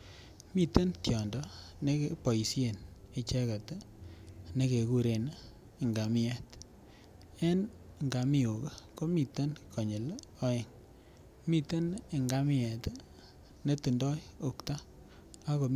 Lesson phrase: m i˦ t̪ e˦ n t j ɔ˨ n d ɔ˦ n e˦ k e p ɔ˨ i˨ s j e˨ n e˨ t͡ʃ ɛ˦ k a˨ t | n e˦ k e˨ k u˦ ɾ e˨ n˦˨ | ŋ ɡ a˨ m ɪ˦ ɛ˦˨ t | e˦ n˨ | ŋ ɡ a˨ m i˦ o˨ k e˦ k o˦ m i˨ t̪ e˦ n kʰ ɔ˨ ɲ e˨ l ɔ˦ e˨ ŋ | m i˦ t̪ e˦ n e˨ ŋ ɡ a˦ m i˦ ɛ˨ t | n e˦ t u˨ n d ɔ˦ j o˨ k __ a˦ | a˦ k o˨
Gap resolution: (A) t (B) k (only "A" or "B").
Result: A